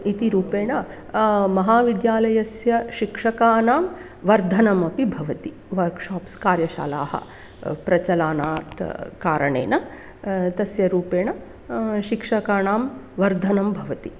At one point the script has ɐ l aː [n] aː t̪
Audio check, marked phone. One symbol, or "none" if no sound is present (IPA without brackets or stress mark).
n